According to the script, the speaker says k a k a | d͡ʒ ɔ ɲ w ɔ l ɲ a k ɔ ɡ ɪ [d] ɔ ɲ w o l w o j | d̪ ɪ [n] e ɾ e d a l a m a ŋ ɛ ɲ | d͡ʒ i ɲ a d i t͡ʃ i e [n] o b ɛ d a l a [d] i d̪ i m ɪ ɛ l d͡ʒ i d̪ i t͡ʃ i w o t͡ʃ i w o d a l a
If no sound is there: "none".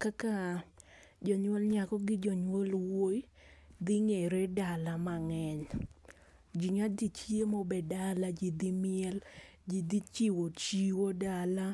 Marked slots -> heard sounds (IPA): d͡ʒ, ŋ, m, d͡ʒ

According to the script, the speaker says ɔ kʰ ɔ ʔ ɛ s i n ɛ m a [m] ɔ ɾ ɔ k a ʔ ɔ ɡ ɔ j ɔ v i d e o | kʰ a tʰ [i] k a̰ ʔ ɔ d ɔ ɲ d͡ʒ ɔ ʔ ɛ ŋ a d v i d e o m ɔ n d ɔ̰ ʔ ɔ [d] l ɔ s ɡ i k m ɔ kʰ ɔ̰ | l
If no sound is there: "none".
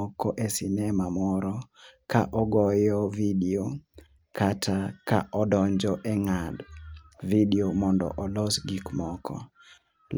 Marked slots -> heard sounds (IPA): m, a, none

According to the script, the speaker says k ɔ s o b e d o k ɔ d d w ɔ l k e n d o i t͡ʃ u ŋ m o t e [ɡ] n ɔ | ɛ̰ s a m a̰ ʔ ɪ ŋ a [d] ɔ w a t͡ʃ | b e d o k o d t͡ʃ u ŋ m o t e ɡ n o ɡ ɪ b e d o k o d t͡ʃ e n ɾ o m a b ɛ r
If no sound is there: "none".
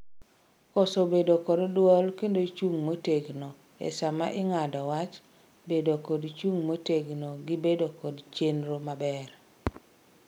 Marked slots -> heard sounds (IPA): ɡ, d

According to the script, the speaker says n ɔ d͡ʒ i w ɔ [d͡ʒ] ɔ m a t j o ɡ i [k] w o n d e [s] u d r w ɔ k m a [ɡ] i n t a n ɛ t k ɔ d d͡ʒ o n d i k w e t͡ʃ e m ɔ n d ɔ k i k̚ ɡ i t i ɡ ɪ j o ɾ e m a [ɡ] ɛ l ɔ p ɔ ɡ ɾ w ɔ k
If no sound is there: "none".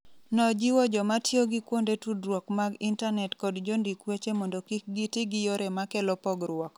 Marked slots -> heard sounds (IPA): d͡ʒ, k, t, ɡ, k

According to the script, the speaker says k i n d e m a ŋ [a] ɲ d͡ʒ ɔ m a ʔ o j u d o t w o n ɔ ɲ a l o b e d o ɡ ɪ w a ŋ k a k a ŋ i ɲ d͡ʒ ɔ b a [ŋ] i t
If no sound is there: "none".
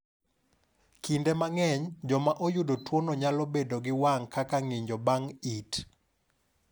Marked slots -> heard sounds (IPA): ɛ, ŋ

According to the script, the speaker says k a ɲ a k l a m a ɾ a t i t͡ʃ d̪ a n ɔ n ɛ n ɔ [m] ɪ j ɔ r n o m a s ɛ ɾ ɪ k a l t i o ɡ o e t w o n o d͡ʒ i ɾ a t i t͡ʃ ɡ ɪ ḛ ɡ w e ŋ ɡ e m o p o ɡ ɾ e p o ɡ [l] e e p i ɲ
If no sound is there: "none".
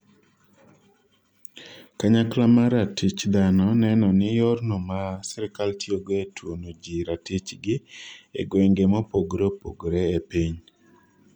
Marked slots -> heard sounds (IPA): n, ɾ

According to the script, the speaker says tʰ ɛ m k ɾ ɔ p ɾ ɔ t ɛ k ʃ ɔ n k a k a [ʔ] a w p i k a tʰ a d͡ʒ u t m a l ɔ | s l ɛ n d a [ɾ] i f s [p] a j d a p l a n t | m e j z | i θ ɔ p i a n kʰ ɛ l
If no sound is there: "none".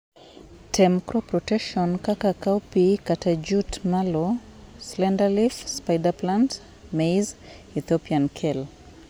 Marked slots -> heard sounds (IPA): k, l, p

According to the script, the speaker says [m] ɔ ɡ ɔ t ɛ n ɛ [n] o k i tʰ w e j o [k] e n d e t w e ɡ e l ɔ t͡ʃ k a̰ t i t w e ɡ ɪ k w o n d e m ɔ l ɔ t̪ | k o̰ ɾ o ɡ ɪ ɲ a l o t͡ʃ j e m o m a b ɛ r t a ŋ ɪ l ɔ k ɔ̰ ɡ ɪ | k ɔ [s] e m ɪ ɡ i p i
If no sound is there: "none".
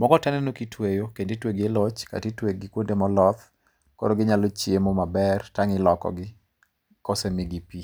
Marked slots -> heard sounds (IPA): m, n, k, s

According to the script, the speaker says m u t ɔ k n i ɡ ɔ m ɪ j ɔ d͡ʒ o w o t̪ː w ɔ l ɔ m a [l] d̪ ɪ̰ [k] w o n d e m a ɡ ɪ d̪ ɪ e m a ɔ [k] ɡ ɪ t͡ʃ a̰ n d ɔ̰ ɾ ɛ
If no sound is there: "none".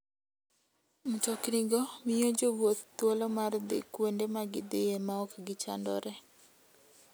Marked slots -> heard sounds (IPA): r, k, k

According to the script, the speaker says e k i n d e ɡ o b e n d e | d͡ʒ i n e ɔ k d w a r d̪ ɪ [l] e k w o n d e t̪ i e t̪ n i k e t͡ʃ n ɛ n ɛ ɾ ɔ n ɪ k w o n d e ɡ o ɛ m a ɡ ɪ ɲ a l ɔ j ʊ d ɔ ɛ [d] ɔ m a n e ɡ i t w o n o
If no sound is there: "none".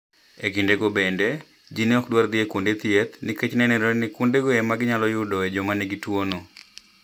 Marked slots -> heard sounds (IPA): none, d͡ʒ

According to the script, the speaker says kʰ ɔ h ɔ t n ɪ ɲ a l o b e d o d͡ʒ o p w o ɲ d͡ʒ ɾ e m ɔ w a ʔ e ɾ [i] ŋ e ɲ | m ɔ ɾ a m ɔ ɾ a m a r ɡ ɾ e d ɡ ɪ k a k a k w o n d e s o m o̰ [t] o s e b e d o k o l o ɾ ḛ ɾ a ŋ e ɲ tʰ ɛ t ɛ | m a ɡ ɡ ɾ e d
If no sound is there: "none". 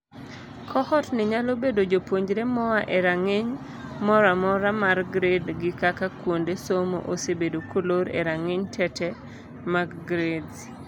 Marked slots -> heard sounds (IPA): a, ʔ

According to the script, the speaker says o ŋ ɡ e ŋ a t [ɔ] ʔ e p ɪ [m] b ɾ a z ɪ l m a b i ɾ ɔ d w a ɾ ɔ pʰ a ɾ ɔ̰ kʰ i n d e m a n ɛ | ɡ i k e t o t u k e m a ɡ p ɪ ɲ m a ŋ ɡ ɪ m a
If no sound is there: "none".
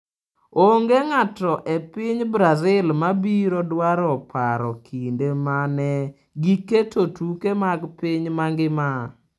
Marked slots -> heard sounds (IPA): ɔ, ɲ

